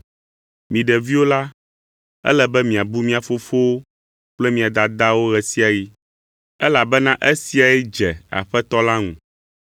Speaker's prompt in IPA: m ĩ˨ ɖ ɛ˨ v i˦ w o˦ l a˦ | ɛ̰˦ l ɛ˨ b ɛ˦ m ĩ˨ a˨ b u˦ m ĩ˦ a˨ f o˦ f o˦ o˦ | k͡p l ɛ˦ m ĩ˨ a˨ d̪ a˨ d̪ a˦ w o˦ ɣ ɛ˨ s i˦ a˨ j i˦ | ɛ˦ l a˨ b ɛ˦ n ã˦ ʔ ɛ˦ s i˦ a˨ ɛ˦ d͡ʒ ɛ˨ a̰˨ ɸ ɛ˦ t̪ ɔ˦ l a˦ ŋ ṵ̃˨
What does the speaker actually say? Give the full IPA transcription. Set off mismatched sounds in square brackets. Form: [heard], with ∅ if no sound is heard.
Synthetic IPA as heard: m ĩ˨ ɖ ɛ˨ v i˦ w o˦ l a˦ | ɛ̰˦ l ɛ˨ b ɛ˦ m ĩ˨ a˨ b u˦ m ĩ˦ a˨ f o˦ f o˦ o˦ | k͡p l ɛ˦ m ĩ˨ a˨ d̪ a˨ d̪ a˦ w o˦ ɣ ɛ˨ s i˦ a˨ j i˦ | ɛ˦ l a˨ b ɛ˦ n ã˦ ʔ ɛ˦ s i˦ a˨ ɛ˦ d͡ʒ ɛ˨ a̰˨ ɸ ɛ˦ t̪ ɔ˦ l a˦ ŋ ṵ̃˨